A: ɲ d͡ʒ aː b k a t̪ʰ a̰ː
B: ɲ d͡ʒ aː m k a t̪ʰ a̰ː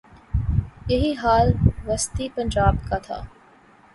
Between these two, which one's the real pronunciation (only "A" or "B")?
A